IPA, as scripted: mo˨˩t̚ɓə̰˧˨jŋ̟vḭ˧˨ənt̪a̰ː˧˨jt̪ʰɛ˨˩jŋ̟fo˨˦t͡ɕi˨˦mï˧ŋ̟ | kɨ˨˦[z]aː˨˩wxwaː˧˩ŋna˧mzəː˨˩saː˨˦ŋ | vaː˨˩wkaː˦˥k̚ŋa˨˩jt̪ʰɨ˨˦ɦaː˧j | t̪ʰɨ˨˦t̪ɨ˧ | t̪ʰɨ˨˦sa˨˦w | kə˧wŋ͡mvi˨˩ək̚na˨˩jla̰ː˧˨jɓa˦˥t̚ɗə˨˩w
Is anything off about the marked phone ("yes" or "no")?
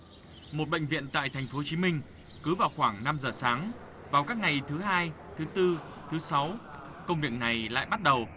yes